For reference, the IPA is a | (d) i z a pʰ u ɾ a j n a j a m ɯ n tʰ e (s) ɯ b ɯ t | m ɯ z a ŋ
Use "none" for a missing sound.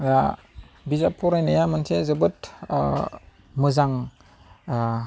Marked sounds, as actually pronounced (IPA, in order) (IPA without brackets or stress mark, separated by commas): b, z